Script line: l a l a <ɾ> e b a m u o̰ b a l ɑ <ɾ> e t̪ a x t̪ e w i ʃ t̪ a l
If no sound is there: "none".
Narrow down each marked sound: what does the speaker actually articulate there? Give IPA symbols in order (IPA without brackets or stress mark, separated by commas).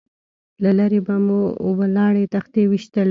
ɾ, ɽ